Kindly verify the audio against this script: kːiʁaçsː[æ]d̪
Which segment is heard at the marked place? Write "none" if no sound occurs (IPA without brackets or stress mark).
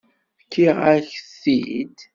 i